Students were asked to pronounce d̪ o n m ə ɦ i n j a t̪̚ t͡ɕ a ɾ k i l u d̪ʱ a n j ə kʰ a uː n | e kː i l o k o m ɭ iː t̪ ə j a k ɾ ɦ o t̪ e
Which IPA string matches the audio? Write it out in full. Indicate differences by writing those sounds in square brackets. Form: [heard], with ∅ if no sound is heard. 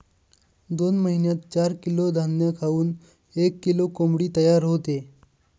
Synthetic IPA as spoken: d̪ o n m ə ɦ i n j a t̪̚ t͡ɕ a ɾ k i l [o] d̪ʱ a n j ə kʰ a uː n | e kː i l o k o m [ɽ] iː t̪ ə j a [∅] ɾ ɦ o t̪ e